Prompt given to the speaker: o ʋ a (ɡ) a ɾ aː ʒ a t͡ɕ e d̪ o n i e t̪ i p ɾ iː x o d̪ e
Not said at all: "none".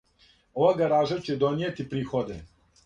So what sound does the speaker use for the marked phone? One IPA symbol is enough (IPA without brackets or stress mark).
ɡ